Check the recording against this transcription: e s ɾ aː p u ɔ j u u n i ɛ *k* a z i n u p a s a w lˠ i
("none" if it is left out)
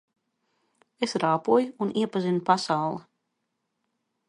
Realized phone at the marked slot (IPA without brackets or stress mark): p